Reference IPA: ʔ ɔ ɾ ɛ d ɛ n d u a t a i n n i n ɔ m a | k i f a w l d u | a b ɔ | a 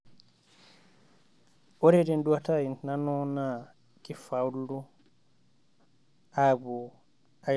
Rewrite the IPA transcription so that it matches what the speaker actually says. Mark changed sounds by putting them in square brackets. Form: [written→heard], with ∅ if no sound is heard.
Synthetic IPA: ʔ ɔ ɾ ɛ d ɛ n d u a t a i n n [i→a] n ɔ [m→n] a | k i f a w l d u | a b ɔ | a